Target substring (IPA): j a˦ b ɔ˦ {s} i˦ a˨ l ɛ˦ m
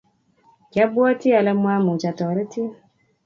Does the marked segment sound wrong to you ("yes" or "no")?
yes